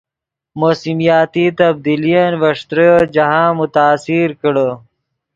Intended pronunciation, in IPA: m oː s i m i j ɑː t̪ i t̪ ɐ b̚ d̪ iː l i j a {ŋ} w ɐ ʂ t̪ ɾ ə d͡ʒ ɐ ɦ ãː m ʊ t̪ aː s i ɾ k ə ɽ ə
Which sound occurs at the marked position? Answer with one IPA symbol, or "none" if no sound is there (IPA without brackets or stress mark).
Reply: n